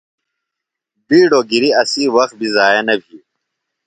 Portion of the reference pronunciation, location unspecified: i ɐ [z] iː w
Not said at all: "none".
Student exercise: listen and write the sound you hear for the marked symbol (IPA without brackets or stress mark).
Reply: s